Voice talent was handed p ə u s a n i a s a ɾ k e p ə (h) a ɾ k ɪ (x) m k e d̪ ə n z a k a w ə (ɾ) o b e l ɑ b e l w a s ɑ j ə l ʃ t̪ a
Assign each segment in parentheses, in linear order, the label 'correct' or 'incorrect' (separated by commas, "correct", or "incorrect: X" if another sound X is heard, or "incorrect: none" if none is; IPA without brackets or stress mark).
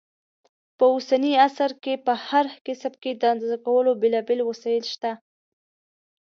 correct, incorrect: s, incorrect: l